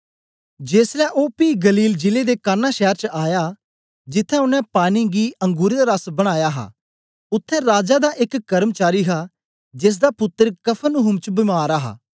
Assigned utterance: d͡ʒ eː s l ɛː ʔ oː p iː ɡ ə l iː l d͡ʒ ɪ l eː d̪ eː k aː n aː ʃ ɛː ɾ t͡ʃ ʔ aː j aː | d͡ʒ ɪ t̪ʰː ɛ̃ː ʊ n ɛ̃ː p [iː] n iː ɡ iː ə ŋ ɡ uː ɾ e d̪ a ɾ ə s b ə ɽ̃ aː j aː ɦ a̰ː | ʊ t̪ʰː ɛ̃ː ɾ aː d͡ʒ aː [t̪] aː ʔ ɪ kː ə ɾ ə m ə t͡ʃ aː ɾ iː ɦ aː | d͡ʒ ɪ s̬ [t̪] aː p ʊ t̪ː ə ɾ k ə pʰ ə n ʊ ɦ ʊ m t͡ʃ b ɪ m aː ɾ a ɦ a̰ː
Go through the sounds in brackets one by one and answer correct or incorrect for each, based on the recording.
incorrect, incorrect, incorrect

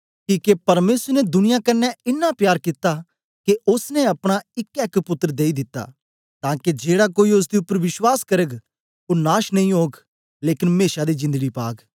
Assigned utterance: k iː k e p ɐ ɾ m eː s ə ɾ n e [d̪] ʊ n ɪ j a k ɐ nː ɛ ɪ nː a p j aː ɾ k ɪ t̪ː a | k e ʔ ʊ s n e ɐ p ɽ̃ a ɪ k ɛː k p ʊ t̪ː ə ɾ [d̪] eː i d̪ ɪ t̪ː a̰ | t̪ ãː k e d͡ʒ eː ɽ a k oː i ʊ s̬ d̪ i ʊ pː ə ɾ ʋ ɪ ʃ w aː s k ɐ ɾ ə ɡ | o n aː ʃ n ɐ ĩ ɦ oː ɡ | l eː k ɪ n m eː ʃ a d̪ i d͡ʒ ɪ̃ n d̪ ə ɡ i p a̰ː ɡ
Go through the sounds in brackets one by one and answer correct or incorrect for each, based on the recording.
correct, correct

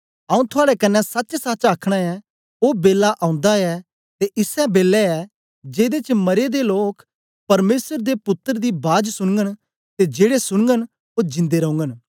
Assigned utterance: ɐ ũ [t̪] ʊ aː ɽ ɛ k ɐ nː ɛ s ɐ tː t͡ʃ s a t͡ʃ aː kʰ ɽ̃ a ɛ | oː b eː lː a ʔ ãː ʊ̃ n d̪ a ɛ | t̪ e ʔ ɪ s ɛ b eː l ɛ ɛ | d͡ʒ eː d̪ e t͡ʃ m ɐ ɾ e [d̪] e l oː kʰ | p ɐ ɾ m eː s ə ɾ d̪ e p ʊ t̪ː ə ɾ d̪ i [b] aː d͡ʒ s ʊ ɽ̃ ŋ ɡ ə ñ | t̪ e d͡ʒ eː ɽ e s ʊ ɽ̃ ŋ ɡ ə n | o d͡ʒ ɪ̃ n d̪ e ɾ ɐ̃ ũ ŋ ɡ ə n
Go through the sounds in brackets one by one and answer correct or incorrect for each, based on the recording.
incorrect, correct, correct

